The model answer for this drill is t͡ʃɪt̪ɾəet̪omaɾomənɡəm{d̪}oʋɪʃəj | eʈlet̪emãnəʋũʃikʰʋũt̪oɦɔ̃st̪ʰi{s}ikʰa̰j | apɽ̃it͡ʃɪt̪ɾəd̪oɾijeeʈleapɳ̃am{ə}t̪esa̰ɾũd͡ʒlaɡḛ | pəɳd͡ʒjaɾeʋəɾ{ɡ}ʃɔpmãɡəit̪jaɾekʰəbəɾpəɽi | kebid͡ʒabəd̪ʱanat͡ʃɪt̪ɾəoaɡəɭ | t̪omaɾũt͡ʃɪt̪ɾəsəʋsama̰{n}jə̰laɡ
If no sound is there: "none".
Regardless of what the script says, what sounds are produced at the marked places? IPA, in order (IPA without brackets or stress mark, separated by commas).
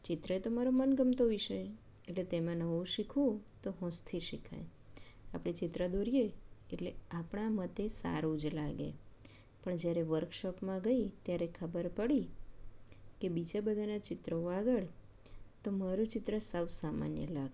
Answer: t̪, ʃ, ə, k, n